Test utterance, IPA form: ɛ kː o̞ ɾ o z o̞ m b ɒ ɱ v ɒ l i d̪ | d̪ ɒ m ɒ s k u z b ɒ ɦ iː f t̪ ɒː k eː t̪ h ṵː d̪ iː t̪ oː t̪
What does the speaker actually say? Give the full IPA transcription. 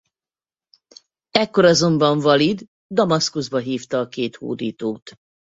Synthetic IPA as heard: ɛ kː o̞ ɾ ɒ z o̞ m b ɒ ɱ v ɒ l i d̪ | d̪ ɒ m ɒ s k u z b ɒ ɦ iː f t̪ ɒː k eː t̪ h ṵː d̪ iː t̪ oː t̪